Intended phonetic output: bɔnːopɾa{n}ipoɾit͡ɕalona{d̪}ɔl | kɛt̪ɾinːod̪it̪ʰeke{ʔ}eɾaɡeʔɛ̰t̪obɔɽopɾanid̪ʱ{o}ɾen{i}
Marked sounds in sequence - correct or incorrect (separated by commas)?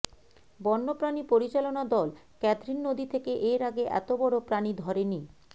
correct, correct, correct, incorrect, correct